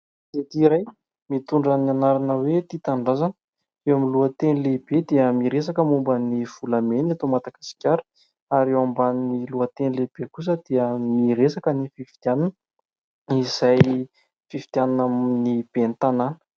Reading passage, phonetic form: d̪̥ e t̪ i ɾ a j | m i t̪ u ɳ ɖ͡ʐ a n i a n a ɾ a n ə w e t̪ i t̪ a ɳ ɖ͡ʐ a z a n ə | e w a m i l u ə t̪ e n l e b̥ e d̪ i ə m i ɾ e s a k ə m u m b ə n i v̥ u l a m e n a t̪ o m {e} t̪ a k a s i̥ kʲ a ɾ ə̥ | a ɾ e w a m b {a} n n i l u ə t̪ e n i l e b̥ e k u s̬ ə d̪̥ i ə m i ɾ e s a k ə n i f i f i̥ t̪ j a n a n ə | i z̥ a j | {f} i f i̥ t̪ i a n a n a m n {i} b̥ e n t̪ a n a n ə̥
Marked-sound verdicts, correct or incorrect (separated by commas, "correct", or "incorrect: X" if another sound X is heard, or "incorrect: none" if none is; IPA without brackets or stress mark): incorrect: a, correct, correct, correct